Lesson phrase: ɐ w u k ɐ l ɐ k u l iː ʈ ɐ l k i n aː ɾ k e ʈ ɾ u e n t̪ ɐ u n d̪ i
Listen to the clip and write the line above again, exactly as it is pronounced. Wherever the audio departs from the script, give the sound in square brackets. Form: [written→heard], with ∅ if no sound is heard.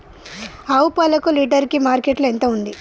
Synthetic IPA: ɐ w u [k→p] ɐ l ɐ k u l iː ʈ ɐ [l→ɾ] k i [n→m] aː ɾ k e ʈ [ɾ→l] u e n t̪ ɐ u n d̪ i